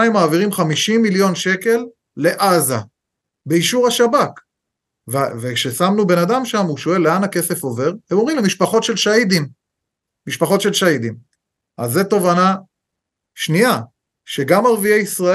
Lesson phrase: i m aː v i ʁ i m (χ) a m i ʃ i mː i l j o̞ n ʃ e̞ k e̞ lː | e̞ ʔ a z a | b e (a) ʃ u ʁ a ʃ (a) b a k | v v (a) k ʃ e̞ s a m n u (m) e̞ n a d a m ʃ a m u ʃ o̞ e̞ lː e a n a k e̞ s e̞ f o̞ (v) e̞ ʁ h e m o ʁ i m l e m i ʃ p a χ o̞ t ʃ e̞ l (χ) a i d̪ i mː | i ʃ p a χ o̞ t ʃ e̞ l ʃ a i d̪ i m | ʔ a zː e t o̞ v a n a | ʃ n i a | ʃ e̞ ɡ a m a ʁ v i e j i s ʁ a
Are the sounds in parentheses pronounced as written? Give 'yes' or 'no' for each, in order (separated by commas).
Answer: yes, no, yes, no, no, yes, no